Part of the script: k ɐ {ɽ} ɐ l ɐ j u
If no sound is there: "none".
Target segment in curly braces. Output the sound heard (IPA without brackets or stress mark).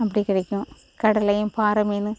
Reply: ɽ